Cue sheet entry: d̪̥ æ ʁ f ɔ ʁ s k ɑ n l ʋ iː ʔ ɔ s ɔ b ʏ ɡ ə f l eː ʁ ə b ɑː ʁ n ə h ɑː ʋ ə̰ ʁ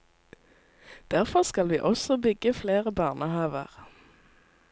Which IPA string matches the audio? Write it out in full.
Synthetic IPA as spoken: d̪̥ æ ʁ f ɔ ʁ s k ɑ l ʋ iː ʔ ɔ s ɔ b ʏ ɡ ə f l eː ʁ ə b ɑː ʁ n ə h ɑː ʋ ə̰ ʁ